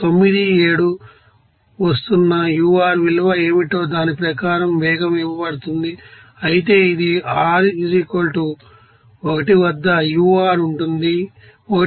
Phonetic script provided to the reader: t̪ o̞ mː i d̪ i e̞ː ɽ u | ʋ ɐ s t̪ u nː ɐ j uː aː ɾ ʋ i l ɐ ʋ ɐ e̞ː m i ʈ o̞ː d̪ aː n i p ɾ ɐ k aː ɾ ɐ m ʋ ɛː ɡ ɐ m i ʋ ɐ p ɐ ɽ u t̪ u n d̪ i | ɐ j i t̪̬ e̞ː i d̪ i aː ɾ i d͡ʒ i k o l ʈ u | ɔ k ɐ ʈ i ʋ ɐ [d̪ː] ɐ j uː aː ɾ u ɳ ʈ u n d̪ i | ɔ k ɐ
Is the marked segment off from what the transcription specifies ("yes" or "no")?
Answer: no